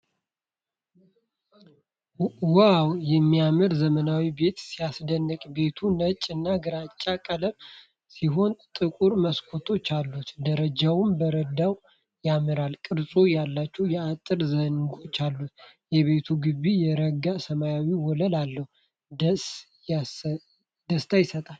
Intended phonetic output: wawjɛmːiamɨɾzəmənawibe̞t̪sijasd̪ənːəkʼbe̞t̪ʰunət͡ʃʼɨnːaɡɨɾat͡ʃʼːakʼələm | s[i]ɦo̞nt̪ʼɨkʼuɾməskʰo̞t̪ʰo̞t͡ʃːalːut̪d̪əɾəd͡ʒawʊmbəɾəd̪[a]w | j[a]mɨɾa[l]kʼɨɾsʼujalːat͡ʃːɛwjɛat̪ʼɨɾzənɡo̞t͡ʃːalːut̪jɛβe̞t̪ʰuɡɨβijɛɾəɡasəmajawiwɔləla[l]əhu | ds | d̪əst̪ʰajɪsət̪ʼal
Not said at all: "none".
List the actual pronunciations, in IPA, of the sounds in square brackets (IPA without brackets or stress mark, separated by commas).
i, a, a, l, lː